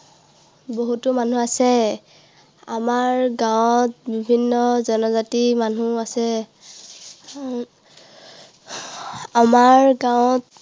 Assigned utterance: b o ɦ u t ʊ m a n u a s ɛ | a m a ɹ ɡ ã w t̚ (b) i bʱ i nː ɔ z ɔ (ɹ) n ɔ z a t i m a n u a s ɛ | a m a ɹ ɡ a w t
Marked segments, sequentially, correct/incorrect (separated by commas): correct, incorrect